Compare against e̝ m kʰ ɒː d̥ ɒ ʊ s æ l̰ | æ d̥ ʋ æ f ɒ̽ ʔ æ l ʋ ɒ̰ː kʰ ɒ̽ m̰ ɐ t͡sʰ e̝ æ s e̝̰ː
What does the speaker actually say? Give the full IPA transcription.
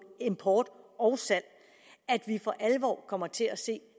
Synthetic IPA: e̝ m pʰ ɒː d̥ ɒ ʊ s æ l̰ | æ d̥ ʋ i f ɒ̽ ʔ æ l ʋ ɒ̰ː kʰ ɒ̽ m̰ ɐ t͡sʰ e̝ æ s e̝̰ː